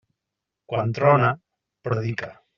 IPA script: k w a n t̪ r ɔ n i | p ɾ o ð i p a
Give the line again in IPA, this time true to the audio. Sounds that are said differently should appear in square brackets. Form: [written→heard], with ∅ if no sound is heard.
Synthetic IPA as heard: k w a n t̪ [r→ɾ] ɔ n [i→a] | p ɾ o ð i [p→k] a